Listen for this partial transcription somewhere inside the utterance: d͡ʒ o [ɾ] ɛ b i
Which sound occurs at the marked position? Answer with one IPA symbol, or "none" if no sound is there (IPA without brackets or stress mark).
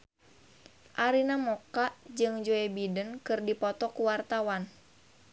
none